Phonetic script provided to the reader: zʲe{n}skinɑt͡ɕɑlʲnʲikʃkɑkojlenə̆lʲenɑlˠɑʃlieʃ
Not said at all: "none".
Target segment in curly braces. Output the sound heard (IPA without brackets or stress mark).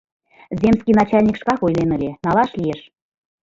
m